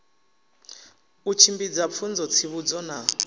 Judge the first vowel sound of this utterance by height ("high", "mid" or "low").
high